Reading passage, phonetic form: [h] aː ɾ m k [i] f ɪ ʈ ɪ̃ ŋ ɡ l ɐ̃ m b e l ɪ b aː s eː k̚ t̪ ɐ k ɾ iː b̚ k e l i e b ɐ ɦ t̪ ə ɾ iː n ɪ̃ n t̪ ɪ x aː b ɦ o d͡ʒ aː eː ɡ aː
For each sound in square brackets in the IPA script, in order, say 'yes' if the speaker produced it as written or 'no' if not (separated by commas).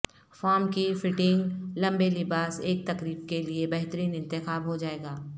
no, yes